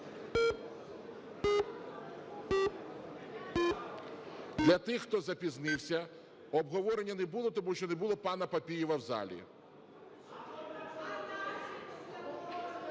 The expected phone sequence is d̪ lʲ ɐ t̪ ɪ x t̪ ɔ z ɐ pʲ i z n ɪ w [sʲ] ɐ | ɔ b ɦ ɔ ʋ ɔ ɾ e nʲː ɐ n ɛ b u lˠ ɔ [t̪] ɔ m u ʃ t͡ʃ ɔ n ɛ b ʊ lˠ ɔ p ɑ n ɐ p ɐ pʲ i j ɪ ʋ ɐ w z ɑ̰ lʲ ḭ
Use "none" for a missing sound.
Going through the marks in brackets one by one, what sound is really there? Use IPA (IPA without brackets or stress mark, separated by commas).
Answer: sʲ, t̪